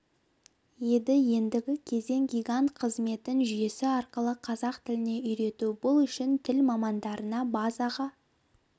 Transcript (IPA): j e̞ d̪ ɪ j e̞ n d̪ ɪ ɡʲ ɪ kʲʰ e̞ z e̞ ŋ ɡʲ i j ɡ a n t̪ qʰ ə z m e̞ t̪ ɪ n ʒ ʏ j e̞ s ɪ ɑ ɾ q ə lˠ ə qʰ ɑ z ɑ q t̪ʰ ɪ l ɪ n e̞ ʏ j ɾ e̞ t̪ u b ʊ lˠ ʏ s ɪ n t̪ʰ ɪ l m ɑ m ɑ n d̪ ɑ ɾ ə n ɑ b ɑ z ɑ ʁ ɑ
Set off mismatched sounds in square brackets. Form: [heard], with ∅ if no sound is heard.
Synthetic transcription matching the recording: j e̞ d̪ ɪ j e̞ n d̪ ɪ ɡʲ ɪ kʲʰ e̞ z e̞ ŋ ɡʲ i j ɡ a n t̪ qʰ ə z m e̞ t̪ ɪ n ʒ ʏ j e̞ s ɪ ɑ ɾ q ə lˠ ə qʰ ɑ z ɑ q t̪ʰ ɪ l ɪ n e̞ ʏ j ɾ e̞ t̪ u b ʊ lˠ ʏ [ʃ] ɪ n t̪ʰ ɪ l m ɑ m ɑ n d̪ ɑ ɾ ə n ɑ b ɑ z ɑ ʁ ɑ